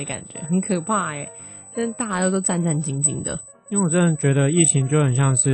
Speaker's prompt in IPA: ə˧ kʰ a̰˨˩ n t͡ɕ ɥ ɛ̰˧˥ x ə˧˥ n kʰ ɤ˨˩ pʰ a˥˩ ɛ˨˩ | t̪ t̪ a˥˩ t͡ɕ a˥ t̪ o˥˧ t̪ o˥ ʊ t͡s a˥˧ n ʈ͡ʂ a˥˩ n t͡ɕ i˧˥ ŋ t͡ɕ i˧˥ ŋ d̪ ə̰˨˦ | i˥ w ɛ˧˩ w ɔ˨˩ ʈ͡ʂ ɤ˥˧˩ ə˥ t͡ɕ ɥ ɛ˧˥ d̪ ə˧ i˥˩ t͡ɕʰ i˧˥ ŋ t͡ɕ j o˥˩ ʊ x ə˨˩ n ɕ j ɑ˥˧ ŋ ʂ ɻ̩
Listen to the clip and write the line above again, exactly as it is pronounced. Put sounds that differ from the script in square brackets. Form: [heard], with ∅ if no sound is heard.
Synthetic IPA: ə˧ [k] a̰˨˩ n t͡ɕ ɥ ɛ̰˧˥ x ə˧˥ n kʰ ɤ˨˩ pʰ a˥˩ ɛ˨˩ | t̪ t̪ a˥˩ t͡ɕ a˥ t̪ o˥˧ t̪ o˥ ʊ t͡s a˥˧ n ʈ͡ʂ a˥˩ n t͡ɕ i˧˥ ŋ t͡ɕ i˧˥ ŋ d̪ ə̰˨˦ | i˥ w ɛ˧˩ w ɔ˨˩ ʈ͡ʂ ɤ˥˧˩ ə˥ t͡ɕ ɥ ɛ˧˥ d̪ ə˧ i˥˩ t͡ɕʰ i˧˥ ŋ t͡ɕ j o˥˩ ʊ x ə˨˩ n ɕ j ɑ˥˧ ŋ ʂ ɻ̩